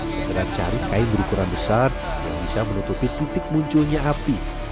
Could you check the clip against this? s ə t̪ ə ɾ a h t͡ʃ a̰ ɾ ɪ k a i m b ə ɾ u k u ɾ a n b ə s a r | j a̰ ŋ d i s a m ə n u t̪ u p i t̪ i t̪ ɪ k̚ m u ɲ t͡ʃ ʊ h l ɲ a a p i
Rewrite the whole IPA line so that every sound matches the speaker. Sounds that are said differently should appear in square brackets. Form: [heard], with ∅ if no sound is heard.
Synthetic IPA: s ə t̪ ə ɾ a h t͡ʃ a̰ ɾ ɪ k a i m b ə ɾ u k u ɾ a n b ə s a r | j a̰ ŋ [b] i s a m ə n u t̪ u p i t̪ i t̪ ɪ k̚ m u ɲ t͡ʃ ʊ [∅] l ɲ a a p i